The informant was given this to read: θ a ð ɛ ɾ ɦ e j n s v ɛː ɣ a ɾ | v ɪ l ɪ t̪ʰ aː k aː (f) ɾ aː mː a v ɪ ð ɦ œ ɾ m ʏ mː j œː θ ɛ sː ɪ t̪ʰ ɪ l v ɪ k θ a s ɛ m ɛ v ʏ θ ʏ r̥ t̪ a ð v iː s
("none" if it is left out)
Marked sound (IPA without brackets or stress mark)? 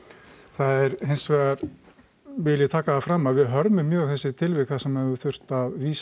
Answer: f